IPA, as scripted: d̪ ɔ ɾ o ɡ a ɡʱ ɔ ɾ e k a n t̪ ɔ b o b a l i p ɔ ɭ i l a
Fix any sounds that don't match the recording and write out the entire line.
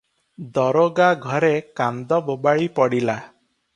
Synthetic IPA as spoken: d̪ ɔ ɾ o ɡ a ɡʱ ɔ ɾ e k a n d̪ ɔ b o b a ɭ i p ɔ ɽ i l a